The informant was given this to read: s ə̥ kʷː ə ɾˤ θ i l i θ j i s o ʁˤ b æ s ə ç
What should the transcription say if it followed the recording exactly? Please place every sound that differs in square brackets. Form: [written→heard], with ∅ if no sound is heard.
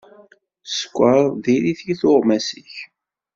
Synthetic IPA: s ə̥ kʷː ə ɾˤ [θ→ð] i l i θ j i [s→θ] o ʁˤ [b→m] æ s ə ç